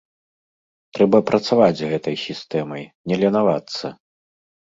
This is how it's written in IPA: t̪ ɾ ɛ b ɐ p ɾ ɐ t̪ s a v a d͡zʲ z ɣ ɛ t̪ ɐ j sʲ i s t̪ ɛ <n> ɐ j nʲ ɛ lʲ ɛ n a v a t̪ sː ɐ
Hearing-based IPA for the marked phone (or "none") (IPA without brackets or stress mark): m